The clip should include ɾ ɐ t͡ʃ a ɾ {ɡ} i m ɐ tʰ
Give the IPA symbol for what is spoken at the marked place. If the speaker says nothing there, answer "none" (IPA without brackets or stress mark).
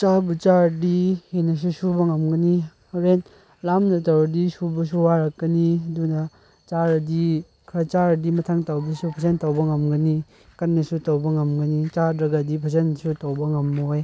d